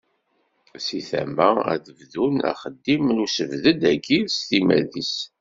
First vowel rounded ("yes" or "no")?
no